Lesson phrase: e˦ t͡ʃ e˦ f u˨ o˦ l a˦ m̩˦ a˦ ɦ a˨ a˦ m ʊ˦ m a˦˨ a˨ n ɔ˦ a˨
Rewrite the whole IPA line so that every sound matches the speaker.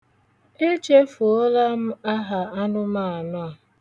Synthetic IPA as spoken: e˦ t͡ʃ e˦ f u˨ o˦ l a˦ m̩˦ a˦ ɦ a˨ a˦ n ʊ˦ m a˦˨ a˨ n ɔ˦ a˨